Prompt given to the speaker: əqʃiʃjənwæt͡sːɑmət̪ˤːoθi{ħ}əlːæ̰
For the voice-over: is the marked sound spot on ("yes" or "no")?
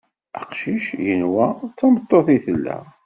no